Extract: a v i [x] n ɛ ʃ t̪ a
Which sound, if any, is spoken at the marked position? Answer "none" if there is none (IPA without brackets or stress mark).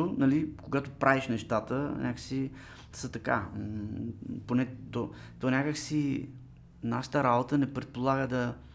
ʃ